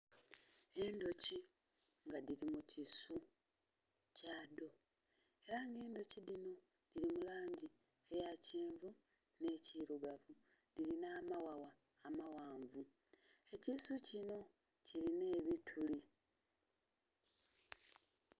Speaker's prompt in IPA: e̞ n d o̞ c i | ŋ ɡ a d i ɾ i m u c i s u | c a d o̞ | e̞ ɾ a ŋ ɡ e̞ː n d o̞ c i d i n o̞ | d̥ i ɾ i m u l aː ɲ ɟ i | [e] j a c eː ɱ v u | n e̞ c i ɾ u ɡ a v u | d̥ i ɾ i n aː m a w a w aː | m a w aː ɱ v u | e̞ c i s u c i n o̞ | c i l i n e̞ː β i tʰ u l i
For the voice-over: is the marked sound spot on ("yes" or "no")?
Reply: yes